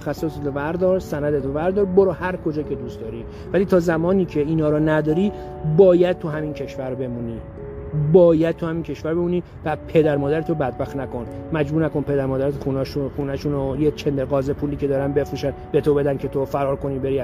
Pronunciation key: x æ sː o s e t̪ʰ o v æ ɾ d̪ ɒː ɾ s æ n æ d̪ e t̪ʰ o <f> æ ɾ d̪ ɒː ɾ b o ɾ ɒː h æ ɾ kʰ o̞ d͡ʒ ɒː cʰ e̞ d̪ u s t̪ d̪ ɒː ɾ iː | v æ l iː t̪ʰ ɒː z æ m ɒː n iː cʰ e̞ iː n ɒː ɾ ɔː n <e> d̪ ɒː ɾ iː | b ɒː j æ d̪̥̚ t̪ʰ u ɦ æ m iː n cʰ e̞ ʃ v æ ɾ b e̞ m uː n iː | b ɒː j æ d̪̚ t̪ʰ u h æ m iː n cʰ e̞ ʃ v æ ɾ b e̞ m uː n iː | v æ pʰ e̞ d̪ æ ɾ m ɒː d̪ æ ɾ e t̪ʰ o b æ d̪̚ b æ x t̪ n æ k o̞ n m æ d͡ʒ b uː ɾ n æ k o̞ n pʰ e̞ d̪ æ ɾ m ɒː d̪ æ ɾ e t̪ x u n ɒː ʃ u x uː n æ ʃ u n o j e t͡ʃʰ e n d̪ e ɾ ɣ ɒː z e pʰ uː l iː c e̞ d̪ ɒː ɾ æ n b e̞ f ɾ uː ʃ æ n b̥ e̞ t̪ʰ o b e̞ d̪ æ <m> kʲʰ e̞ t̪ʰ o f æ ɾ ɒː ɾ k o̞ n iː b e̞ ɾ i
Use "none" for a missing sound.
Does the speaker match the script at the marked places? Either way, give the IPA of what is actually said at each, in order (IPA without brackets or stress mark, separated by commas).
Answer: v, æ, n